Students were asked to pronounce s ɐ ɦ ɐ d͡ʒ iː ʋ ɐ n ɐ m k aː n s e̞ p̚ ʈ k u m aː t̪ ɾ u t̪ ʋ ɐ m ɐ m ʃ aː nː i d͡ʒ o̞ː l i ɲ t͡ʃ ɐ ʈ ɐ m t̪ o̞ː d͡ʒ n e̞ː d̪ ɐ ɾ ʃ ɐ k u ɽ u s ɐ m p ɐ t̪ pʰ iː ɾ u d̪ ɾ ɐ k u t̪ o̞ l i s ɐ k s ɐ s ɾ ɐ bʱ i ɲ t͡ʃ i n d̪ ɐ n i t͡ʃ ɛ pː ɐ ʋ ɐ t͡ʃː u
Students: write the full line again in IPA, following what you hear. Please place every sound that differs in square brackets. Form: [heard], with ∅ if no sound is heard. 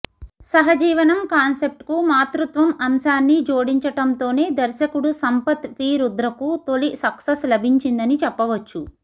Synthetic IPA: s ɐ ɦ ɐ d͡ʒ iː ʋ ɐ n ɐ m k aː n s e̞ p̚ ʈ k u m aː t̪ ɾ u t̪ ʋ ɐ m ɐ m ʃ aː nː i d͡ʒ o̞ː [ɽ] i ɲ t͡ʃ ɐ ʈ ɐ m t̪ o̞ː [∅] n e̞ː d̪ ɐ ɾ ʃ ɐ k u ɽ u s ɐ m p ɐ t̪ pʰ iː ɾ u d̪ ɾ ɐ k u t̪ o̞ l i s ɐ k s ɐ s [l] ɐ bʱ i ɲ t͡ʃ i n d̪ ɐ n i t͡ʃ ɛ pː ɐ ʋ ɐ t͡ʃː u